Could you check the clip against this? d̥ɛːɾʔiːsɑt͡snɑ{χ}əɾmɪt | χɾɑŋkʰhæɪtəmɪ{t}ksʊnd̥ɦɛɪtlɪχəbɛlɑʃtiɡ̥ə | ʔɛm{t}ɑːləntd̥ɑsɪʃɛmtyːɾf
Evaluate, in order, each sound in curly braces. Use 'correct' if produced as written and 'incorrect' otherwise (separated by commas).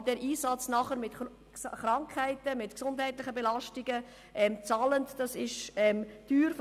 correct, correct, incorrect